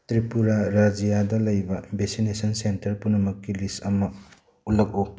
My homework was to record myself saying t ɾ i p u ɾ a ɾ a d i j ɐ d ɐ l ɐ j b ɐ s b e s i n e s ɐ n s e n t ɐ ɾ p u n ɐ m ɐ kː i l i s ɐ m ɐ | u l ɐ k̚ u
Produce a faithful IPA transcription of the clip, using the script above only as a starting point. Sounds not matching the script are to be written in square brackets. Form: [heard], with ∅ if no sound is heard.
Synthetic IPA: t ɾ i p u ɾ a ɾ a [d͡ʒ] i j [a] d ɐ l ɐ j b ɐ [∅] b e s i n e s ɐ n s e n t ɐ ɾ p u n ɐ m ɐ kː i l i s ɐ m ɐ | u l ɐ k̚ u